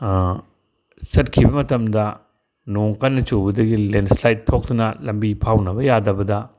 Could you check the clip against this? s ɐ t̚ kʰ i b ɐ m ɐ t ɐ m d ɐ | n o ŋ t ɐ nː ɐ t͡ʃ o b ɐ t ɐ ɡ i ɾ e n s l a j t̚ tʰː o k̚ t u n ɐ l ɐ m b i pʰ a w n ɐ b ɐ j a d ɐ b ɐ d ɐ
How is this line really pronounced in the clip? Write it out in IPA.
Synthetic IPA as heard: s ɐ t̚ kʰ i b ɐ m ɐ t ɐ m d ɐ | n o ŋ k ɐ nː ɐ t͡ʃ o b ɐ d ɐ ɡ i l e n s l a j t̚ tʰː o k̚ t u n ɐ l ɐ m b i pʰ a w n ɐ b ɐ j a d ɐ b ɐ d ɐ